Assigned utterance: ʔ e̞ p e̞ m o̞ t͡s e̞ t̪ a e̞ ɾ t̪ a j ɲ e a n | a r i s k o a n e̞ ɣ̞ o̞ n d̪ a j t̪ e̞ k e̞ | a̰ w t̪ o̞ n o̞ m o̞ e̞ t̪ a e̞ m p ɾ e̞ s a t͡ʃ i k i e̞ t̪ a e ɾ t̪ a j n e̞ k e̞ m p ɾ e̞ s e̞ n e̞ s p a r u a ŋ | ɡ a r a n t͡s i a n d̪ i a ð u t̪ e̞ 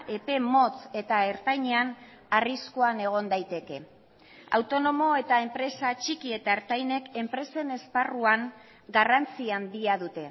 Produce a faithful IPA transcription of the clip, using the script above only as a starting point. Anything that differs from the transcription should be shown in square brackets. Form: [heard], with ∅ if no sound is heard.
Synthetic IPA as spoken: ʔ e̞ p e̞ m o̞ t͡s e̞ t̪ a e̞ ɾ t̪ a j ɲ e a n | a r i s k o a n e̞ ɣ̞ o̞ n d̪ a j t̪ e̞ k e̞ | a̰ w t̪ o̞ n o̞ m o̞ e̞ t̪ a e̞ m p ɾ e̞ s a t͡ʃ i k i e̞ t̪ a e ɾ t̪ a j n e̞ k e̞ m p ɾ e̞ s e̞ n e̞ s p a r u a ŋ | ɡ a r a n t͡s i a n d̪ i a ð u t̪ e̞